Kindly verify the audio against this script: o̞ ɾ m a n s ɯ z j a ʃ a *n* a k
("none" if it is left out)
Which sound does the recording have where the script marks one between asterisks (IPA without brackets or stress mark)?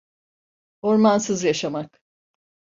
m